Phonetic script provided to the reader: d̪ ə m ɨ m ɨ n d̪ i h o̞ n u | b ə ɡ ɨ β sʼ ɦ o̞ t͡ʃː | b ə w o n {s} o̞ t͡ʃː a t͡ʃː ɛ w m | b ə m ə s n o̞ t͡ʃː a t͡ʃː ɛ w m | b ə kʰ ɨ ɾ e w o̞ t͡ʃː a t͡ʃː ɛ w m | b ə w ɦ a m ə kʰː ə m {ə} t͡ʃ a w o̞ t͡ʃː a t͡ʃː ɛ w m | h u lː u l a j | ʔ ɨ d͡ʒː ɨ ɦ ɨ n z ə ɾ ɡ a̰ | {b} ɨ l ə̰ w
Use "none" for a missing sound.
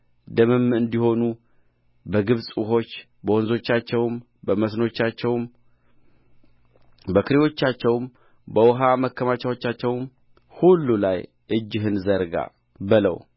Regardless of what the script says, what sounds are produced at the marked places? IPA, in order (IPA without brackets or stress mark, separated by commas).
z, a, b